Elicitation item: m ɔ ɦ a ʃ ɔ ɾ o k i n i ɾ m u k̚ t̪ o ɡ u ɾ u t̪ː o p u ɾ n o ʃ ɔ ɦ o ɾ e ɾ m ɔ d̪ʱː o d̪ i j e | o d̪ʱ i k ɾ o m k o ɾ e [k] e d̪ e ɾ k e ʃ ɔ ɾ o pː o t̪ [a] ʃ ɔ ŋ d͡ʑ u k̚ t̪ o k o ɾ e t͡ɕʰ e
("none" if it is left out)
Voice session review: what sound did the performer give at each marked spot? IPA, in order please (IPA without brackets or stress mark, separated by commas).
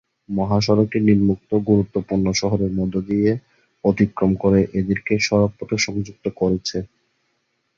ʔ, e